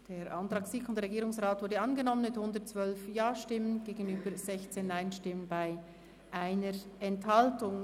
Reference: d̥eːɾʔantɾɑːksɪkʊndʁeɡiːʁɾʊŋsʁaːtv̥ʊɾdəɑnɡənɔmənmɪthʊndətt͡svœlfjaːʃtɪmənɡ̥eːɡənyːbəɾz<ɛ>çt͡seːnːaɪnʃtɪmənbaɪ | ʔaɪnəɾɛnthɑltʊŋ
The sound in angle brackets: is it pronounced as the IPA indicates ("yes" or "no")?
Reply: yes